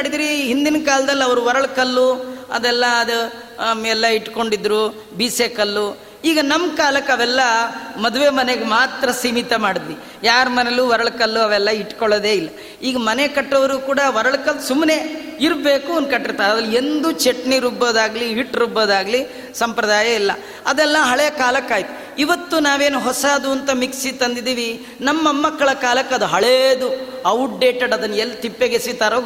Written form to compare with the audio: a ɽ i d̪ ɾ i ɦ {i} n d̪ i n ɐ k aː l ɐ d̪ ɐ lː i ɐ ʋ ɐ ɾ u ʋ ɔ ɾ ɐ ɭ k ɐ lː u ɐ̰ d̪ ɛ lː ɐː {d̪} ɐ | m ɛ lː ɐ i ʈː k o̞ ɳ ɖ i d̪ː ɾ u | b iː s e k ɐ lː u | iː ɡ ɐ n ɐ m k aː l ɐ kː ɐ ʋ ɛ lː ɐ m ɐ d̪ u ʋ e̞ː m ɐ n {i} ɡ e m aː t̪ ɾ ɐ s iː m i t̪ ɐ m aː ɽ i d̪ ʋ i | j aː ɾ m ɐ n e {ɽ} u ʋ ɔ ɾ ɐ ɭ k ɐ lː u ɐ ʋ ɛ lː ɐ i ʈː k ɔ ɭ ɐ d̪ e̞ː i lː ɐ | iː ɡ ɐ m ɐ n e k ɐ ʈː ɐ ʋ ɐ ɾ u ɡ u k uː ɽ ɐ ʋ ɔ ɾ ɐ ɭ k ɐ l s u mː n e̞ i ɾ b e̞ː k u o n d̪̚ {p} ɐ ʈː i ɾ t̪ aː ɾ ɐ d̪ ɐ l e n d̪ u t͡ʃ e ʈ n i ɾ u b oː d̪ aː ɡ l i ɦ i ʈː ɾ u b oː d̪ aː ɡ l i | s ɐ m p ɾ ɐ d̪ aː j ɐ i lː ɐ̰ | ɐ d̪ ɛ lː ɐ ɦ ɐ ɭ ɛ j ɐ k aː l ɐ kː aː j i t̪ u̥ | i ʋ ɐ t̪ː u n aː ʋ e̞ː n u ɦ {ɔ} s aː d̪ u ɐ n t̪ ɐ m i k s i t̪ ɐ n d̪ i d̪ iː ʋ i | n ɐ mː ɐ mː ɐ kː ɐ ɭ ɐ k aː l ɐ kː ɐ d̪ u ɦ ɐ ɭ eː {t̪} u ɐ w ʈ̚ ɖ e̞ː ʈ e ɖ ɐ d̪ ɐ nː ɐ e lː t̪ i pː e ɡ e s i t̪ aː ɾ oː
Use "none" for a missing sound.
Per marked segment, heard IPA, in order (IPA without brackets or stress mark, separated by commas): i, d̪, e, l, k, ɔ, d̪